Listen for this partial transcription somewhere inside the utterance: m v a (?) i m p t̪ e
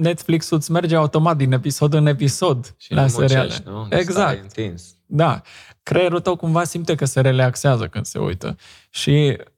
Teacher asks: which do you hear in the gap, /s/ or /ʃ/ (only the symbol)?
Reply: s